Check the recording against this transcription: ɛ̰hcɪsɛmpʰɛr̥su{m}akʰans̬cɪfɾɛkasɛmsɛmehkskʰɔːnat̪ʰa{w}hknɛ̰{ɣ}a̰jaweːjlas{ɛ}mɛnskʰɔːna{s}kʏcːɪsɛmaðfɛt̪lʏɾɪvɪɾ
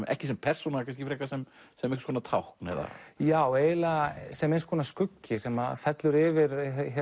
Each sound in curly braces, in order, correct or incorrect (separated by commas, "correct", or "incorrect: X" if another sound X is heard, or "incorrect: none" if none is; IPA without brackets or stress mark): incorrect: n, correct, incorrect: ð, correct, correct